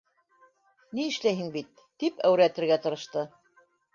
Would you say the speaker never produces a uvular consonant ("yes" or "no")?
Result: yes